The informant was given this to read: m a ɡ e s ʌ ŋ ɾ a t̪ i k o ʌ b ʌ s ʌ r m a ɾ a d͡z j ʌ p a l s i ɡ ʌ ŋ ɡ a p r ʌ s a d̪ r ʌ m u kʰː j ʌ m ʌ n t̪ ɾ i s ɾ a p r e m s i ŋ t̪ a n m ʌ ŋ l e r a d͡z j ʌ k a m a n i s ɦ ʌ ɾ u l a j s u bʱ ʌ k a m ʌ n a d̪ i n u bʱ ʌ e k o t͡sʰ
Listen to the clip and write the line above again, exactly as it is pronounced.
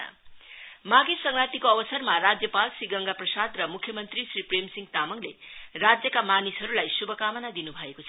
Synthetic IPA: m a ɡ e s ʌ ŋ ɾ a t̪ i k o ʌ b ʌ s ʌ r m a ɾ a d͡z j ʌ p a l s i ɡ ʌ ŋ ɡ a p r ʌ s a d̪ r ʌ m u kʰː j ʌ m ʌ n t̪ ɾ i s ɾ i p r e m s i ŋ t̪ a m ʌ ŋ l e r a d͡z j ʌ k a m a n i s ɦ ʌ ɾ u l a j s u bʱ ʌ k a m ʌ n a d̪ i n u bʱ ʌ e k o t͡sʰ